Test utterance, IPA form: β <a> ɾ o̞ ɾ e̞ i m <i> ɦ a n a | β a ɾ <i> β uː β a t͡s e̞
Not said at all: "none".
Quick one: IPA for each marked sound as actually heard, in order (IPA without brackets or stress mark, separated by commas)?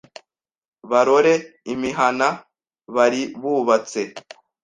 a, i, i